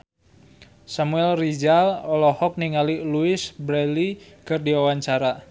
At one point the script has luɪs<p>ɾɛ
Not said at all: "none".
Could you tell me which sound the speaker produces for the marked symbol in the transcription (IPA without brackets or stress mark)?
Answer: b